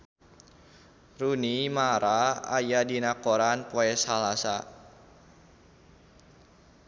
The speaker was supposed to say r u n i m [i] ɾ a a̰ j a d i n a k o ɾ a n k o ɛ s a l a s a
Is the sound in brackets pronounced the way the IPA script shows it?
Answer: no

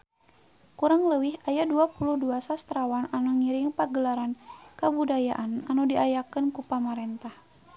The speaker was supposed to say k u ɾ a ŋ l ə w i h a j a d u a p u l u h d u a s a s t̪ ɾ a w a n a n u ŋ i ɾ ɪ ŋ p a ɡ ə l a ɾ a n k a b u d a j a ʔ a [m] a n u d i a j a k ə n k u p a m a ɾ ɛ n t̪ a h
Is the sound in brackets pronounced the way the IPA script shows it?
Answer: no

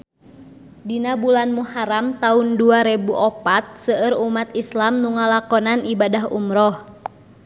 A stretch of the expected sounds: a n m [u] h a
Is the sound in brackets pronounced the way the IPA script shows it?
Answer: yes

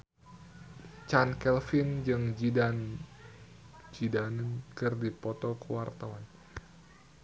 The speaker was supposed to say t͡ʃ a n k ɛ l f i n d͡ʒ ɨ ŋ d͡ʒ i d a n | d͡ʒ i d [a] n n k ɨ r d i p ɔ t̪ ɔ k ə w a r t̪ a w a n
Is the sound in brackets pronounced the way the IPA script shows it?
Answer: yes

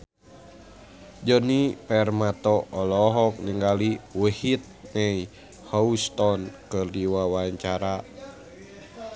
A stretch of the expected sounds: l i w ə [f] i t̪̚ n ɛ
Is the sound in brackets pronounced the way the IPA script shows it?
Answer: no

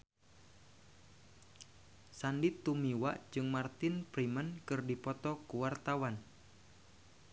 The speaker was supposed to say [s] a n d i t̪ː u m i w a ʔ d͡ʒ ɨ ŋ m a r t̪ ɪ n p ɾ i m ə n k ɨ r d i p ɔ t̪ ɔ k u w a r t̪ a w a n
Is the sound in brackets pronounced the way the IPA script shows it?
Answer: yes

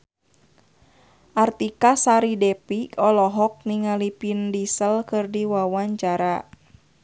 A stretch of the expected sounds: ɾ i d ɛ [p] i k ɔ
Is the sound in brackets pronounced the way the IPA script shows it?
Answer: yes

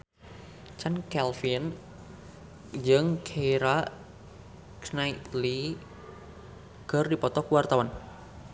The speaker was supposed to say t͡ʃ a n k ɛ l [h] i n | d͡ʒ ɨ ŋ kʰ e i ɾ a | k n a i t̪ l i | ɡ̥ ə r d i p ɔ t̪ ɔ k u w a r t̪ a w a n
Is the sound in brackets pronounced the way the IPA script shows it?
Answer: no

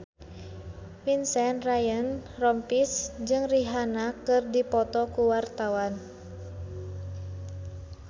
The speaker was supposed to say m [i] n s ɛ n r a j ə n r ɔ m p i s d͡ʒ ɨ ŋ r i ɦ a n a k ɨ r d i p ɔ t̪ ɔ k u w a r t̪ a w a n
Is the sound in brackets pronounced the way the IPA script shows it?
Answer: yes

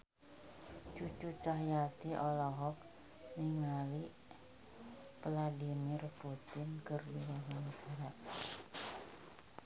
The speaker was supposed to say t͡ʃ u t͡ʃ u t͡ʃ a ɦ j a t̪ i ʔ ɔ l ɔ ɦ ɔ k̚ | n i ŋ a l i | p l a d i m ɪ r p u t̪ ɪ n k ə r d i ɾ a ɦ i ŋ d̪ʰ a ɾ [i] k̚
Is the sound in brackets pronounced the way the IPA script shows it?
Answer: no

